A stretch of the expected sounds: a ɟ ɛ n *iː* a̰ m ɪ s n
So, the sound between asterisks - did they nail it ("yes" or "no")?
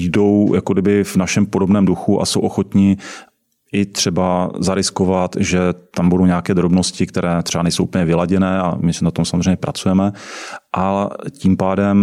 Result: no